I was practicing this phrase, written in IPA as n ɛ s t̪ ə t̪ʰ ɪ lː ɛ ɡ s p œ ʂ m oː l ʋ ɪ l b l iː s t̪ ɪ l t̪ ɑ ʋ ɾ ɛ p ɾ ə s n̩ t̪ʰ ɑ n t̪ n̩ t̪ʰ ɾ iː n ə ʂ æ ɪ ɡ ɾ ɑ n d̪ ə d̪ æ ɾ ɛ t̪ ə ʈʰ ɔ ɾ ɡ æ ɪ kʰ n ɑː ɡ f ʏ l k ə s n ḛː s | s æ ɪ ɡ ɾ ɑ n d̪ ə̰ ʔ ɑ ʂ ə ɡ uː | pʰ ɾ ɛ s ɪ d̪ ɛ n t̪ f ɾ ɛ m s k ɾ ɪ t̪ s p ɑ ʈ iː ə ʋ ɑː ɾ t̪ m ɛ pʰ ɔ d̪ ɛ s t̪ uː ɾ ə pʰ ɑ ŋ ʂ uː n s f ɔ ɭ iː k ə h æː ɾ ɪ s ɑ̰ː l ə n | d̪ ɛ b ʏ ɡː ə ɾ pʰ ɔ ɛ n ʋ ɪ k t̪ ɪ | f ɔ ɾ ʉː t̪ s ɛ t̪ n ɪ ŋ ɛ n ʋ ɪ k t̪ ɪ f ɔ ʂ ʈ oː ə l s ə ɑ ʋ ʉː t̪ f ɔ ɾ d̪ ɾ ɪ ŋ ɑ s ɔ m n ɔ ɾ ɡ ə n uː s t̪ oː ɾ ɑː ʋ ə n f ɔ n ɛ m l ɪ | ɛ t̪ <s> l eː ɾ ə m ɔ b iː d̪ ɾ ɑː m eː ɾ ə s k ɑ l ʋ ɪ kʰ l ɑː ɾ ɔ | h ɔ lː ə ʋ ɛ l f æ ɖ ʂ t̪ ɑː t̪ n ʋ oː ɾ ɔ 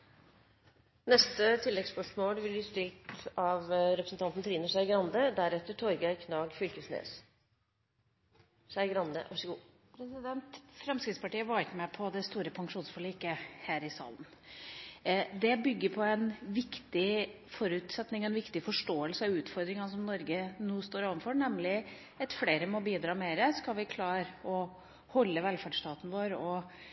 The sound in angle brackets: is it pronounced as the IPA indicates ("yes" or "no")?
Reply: no